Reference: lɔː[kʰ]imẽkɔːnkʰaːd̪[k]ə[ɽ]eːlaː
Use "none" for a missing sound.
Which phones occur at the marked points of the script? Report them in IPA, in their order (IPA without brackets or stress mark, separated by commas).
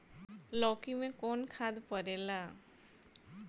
k, p, ɾ